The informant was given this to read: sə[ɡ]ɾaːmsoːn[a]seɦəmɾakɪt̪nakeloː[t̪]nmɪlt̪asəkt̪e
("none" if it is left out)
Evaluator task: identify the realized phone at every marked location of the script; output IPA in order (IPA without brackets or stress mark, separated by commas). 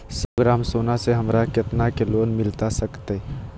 ɡ, a, none